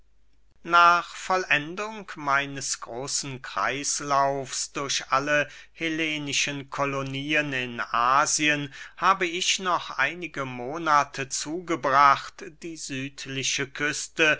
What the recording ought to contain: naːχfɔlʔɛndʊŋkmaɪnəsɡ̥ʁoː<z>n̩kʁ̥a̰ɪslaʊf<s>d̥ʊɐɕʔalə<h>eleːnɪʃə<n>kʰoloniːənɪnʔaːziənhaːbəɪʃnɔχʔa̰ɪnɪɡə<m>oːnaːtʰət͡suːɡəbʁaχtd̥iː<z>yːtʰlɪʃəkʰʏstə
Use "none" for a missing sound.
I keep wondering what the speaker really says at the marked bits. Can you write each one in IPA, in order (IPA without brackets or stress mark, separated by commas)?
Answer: s, s, h, n, m, z